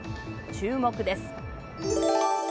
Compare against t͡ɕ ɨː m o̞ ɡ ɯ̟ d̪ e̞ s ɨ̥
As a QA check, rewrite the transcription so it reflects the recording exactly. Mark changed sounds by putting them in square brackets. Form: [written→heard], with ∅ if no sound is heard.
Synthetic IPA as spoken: t͡ɕ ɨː m o̞ [ɡ→k] ɯ̟ d̪ e̞ s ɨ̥

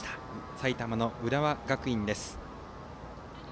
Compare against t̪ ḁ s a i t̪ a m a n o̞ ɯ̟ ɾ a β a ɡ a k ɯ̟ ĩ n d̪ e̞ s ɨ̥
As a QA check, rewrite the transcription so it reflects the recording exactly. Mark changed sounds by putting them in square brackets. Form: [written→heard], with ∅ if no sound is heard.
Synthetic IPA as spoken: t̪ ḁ s a i t̪ a m a n o̞ ɯ̟ ɾ a β a ɡ a k ɯ̟ ĩ n d̪ e̞ s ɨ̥

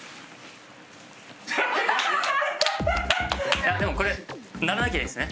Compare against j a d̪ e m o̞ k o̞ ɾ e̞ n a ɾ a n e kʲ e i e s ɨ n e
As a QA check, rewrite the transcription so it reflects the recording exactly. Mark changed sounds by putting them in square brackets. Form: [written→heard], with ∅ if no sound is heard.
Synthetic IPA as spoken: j a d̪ e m o̞ k o̞ ɾ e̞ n a ɾ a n [e→a] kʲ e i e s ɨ n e

